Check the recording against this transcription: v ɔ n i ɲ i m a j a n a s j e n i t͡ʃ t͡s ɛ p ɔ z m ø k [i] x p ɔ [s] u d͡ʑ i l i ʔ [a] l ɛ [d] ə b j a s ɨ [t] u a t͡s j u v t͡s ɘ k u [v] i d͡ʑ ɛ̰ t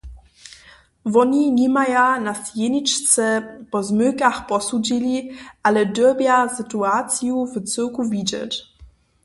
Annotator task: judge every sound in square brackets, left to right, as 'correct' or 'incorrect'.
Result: incorrect, correct, correct, correct, correct, correct

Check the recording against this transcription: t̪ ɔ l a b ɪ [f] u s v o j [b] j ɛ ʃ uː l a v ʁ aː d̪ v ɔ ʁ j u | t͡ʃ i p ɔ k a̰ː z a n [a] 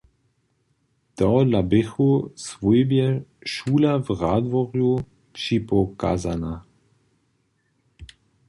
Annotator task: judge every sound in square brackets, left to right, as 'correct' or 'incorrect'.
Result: incorrect, correct, correct

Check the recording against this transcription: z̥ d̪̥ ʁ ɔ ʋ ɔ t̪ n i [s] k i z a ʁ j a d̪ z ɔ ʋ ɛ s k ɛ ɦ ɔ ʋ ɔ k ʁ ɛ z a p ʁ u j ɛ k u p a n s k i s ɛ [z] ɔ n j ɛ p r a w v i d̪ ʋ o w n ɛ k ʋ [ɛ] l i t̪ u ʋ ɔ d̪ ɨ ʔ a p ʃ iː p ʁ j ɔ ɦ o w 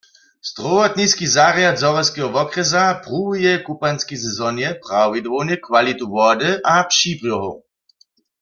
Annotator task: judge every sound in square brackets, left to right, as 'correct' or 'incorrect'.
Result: correct, correct, incorrect

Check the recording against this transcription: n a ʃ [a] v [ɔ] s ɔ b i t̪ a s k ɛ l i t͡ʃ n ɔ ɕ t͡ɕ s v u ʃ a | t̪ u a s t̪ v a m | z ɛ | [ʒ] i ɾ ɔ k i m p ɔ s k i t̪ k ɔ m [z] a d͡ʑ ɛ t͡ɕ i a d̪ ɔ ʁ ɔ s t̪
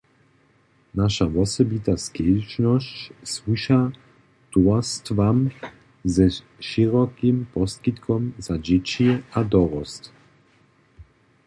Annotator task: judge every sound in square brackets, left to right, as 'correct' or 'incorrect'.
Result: correct, correct, incorrect, correct

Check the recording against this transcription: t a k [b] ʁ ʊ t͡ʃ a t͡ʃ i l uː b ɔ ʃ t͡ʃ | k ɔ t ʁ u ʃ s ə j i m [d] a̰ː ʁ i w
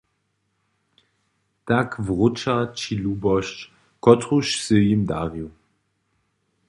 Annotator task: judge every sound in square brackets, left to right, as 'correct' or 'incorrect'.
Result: incorrect, correct

